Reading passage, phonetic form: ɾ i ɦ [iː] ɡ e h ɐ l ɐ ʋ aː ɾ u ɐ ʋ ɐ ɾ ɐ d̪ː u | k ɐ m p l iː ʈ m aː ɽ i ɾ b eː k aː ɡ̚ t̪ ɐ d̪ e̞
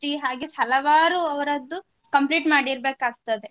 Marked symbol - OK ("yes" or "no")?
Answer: no